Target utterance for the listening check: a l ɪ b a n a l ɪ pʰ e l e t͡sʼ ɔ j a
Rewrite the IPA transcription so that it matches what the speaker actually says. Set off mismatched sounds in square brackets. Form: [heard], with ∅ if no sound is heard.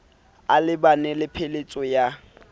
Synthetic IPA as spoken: a l ɪ b a n [ɛ] l ɪ pʰ e l e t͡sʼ ɔ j a